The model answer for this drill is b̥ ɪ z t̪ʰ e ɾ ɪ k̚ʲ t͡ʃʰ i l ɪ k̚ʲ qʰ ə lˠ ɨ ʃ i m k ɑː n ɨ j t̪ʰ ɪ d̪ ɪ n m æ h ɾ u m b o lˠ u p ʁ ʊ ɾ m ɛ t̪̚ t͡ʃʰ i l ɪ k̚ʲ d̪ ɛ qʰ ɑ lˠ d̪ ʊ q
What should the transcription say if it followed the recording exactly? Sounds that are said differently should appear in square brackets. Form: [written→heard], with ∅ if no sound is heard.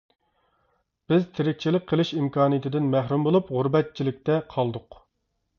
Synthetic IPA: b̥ ɪ z t̪ʰ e ɾ ɪ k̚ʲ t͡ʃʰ i l ɪ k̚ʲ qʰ ə lˠ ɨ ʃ i m k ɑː n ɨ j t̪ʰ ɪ d̪ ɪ n m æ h ɾ u m b o lˠ u p ʁ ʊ ɾ [m→b] ɛ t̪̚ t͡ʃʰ i l ɪ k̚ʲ [d̪→t̪] ɛ qʰ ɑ lˠ d̪ ʊ q